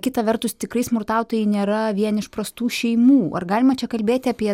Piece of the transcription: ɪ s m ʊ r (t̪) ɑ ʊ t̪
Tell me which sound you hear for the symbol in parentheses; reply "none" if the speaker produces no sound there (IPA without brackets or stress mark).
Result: t̪